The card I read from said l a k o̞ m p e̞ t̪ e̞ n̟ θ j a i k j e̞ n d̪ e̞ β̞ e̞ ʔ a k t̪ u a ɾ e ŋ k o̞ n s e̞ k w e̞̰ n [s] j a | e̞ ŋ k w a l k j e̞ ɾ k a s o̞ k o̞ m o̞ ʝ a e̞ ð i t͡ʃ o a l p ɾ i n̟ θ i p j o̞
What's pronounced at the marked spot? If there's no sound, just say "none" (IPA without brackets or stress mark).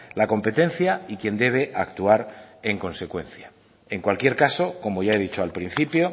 θ